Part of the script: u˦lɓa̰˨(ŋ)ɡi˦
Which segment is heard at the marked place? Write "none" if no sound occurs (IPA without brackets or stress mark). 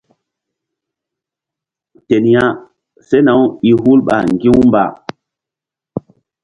ŋ